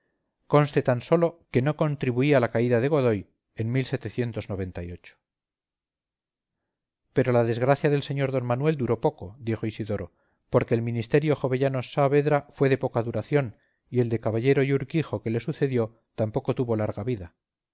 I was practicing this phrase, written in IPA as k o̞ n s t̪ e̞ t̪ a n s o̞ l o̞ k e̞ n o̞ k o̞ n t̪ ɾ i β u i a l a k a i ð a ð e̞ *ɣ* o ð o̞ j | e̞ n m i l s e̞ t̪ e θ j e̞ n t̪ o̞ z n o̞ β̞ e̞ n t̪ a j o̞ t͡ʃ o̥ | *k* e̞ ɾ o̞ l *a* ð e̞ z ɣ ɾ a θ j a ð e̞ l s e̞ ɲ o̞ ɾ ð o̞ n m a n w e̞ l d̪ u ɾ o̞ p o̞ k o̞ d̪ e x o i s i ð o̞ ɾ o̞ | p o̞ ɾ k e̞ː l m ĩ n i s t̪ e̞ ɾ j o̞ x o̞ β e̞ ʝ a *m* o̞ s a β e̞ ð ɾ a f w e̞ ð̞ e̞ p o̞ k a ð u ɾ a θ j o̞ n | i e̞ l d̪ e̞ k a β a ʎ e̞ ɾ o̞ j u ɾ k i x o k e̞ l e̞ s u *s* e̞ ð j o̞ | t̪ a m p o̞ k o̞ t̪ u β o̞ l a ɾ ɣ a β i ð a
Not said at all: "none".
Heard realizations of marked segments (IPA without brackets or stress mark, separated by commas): ɣ, p, a, n, θ